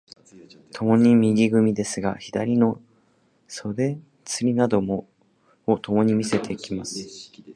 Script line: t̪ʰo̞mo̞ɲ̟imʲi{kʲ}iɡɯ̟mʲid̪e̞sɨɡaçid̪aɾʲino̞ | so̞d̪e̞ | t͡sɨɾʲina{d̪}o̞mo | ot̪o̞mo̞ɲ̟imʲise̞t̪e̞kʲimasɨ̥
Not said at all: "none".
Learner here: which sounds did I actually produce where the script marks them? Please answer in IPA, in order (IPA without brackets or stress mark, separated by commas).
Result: ɡʲ, d̪